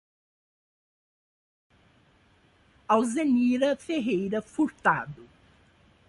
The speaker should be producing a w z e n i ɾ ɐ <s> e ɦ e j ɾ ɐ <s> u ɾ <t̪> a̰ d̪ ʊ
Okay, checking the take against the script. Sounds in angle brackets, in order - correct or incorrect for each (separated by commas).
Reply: incorrect, incorrect, correct